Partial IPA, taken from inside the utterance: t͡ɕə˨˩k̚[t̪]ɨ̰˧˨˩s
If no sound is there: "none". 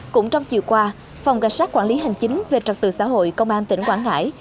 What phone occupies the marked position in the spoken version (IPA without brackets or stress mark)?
t̪